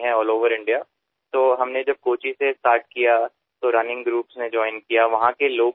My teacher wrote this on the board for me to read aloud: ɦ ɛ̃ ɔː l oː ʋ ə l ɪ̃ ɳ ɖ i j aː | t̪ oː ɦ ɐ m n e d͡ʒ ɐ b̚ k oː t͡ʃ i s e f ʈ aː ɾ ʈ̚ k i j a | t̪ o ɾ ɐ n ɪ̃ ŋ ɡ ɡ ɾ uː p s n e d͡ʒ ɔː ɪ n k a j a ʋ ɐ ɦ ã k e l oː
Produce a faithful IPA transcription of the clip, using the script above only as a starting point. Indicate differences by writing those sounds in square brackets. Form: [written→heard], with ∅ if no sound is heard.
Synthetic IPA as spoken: ɦ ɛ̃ ɔː l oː ʋ ə [l→ɾ] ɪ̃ ɳ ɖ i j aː | t̪ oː ɦ ɐ m n e d͡ʒ ɐ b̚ k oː t͡ʃ i s e [f→s] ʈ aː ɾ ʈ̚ k i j a | t̪ o ɾ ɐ n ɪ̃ ŋ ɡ ɡ ɾ uː p s n e d͡ʒ ɔː ɪ n k [a→i] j a ʋ ɐ ɦ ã k e l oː